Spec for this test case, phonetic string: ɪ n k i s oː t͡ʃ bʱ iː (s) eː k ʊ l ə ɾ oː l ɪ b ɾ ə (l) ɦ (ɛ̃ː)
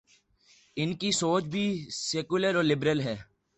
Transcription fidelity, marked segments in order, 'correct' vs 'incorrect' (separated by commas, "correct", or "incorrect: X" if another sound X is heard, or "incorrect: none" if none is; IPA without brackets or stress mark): correct, correct, incorrect: ɛː